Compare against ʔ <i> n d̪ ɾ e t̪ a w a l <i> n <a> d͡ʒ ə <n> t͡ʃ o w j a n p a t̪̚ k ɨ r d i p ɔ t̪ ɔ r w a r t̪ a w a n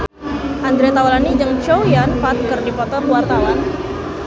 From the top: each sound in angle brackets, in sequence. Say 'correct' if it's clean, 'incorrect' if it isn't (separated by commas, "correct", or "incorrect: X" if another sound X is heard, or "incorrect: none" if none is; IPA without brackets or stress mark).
incorrect: a, incorrect: a, incorrect: i, incorrect: ŋ